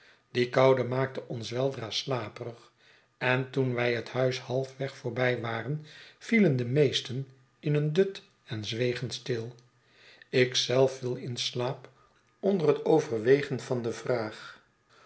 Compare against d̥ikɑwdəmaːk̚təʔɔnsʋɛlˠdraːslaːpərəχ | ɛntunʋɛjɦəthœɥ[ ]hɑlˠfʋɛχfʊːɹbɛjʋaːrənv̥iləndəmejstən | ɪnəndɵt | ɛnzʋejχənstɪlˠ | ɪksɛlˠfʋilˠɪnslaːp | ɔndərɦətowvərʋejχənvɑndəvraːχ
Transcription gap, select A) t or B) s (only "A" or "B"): B